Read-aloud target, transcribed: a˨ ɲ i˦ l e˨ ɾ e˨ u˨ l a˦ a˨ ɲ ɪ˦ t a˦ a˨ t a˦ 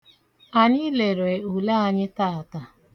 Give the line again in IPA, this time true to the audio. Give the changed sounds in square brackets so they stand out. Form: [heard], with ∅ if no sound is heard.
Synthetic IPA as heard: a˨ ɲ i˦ l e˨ ɾ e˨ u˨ l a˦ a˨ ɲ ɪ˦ t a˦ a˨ t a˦